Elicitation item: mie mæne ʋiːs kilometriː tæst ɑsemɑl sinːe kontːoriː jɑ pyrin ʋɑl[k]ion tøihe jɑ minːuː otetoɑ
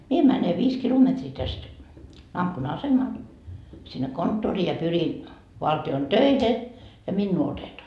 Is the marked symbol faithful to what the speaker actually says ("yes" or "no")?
no